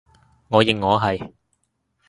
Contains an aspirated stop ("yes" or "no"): no